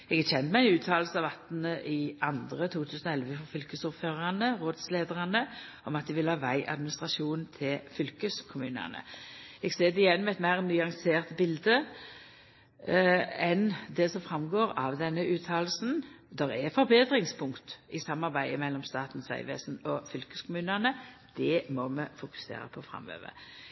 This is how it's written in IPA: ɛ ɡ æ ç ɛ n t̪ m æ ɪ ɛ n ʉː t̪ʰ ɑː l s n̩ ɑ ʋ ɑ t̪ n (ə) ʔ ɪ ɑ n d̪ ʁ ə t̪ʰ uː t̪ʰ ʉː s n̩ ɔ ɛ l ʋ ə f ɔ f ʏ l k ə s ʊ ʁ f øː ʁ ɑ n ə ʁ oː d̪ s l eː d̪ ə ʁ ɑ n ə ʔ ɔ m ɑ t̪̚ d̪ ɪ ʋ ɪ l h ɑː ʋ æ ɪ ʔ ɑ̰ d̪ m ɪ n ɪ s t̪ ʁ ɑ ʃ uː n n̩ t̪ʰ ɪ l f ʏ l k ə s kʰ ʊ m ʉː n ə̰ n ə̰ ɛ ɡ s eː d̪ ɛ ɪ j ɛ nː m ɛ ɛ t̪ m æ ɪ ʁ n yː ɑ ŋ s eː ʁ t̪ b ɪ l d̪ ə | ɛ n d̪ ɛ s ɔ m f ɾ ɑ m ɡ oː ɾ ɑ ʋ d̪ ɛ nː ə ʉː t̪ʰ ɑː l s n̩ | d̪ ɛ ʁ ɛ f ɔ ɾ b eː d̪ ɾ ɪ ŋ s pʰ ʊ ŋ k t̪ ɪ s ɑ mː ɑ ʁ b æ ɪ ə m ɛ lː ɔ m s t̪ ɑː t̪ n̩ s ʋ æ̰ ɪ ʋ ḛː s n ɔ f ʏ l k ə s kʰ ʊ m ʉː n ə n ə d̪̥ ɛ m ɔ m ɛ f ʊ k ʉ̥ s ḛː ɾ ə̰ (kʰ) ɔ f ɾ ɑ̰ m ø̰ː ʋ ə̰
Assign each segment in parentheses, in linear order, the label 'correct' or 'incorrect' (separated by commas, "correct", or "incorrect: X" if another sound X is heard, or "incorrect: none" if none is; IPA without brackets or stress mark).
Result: correct, incorrect: pʰ